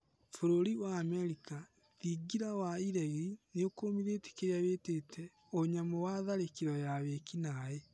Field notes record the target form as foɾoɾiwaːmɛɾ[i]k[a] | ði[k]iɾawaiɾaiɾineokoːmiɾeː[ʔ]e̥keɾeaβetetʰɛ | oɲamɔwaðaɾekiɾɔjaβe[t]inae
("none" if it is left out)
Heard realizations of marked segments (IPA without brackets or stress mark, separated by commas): i, a, ɡ, t, k